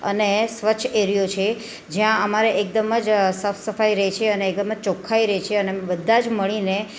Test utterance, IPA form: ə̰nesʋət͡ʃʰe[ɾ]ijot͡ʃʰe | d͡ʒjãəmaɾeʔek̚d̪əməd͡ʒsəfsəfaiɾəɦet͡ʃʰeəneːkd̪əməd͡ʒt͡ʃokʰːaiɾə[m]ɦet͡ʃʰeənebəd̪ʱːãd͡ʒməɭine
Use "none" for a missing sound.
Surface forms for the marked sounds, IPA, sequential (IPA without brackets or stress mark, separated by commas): ɾ, none